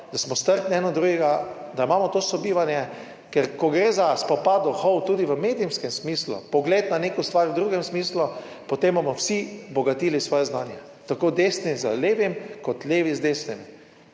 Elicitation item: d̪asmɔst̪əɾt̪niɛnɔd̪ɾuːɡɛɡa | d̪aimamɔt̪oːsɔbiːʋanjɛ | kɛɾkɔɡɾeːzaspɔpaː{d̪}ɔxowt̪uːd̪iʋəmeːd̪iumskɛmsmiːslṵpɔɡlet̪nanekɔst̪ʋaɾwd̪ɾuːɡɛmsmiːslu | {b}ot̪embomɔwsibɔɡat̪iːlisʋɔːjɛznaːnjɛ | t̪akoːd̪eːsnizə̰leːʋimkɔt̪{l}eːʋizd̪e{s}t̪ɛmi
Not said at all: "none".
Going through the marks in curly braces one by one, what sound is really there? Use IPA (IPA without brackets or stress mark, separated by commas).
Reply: d̪, p, l, s